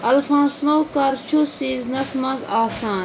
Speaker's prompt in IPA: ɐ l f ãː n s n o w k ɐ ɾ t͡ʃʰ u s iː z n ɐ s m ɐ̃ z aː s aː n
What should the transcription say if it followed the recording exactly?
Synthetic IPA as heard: ɐ l f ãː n s n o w k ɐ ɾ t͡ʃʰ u s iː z n ɐ s m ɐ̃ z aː s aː n